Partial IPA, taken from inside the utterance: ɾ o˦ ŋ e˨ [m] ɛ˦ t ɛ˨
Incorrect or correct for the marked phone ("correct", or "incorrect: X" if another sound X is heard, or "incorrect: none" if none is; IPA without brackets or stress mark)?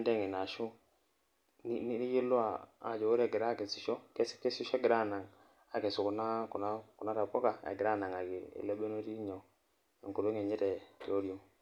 incorrect: ɲ